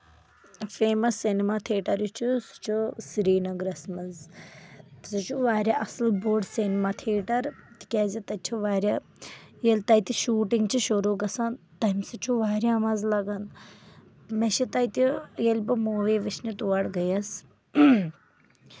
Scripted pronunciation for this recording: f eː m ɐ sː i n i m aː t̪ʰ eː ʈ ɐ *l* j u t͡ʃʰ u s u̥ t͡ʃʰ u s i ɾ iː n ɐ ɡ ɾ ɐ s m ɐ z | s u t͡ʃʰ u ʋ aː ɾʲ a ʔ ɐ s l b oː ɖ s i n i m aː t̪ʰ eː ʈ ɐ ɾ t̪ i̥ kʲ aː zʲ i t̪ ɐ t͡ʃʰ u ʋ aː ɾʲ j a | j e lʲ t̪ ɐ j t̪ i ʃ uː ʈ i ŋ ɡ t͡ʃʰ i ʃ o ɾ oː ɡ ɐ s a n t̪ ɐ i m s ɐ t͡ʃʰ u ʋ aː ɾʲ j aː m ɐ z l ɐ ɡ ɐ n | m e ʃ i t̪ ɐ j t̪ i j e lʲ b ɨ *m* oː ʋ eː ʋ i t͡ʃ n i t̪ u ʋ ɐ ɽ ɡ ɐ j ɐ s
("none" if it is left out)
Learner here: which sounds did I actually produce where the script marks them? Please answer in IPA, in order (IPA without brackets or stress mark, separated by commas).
ɾ, m